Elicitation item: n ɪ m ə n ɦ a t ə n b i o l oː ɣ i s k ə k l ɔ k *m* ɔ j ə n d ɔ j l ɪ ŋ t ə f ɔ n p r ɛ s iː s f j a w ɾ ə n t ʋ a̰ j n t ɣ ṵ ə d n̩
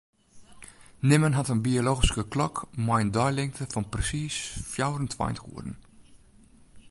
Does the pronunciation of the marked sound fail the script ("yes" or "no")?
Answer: no